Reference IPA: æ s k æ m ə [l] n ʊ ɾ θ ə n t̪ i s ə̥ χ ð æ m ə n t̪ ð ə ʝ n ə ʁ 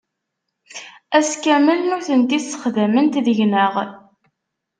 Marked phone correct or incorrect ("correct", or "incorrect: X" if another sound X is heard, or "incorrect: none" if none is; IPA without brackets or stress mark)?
correct